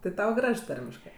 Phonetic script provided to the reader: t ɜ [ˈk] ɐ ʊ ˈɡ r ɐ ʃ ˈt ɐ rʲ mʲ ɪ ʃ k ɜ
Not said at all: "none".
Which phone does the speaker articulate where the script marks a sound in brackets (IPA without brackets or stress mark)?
t